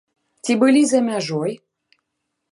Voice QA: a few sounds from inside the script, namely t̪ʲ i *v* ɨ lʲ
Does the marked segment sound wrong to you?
yes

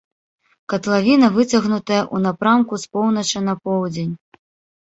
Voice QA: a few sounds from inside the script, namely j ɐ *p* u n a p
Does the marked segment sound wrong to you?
yes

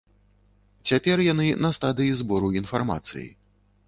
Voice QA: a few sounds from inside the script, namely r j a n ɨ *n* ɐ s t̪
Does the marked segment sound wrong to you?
no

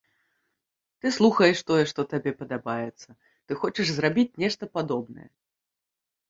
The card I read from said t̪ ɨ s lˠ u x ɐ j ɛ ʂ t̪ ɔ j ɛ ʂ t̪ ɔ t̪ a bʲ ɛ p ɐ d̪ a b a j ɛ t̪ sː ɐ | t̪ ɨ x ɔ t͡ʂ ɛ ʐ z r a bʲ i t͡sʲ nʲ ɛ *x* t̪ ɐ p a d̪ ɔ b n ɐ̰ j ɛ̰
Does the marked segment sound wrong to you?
yes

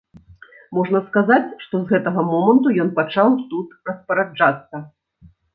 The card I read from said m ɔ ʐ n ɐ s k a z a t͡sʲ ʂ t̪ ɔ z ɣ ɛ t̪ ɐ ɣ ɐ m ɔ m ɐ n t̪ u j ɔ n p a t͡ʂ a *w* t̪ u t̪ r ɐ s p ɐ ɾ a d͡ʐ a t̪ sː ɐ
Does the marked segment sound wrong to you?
no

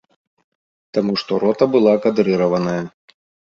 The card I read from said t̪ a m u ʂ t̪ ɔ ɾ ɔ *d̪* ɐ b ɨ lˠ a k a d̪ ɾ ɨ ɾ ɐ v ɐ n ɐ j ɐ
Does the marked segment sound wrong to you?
yes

